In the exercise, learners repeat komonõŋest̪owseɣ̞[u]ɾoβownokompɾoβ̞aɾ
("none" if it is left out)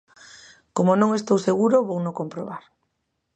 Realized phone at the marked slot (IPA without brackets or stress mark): u